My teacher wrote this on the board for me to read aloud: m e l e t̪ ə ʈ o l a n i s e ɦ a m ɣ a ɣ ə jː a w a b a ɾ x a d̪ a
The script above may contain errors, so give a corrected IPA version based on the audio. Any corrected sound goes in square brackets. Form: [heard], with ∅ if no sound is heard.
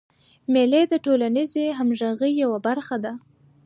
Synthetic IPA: m e l e [d̪] ə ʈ o l a n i [z] e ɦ a m [ʒ] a ɣ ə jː a w a b a ɾ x a d̪ a